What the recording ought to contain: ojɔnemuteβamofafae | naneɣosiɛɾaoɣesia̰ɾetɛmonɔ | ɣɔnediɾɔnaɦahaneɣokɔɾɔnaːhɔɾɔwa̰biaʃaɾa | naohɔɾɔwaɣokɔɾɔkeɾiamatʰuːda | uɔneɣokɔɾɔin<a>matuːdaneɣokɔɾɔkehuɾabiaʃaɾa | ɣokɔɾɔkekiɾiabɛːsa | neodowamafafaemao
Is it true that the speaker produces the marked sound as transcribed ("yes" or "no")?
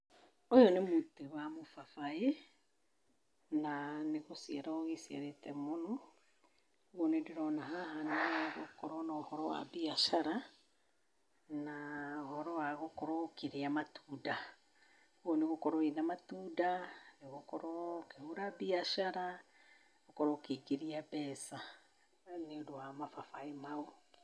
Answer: yes